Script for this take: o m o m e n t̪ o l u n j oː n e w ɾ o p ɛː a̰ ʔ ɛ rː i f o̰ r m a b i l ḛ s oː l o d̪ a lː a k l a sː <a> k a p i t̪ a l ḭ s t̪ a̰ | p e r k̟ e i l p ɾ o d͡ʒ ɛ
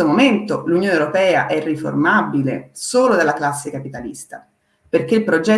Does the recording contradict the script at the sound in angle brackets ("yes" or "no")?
yes